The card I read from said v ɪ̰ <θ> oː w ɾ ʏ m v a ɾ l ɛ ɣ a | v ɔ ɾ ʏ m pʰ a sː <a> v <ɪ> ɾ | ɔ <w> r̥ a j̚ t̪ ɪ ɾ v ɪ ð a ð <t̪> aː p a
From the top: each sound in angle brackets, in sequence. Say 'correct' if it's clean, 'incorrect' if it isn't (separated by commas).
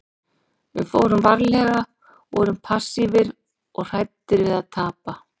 incorrect, incorrect, correct, incorrect, incorrect